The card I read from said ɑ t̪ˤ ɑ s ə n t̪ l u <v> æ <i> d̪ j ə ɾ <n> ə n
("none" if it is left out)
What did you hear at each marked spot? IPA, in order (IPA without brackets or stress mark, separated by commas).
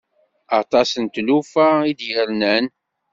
f, i, n